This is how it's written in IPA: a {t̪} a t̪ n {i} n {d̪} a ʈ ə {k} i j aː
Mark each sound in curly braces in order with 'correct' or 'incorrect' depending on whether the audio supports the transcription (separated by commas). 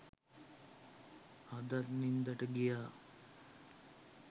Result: incorrect, correct, correct, incorrect